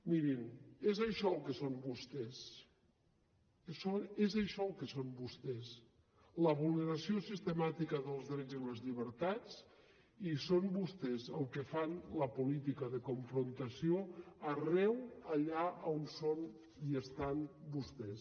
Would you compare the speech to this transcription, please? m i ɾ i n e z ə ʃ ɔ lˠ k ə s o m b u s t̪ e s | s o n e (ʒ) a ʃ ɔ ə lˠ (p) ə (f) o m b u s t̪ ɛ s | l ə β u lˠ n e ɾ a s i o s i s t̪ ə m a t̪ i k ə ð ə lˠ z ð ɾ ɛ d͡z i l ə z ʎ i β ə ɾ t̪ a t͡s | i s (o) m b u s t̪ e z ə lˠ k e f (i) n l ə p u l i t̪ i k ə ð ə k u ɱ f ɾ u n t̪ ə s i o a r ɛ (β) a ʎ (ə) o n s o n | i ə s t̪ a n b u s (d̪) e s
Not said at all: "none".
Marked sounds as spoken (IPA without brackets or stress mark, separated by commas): z, k, s, o, a, w, a, t̪